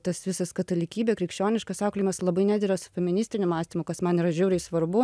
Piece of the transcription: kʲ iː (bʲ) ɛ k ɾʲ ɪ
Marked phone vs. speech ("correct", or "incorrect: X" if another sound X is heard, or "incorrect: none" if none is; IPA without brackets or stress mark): correct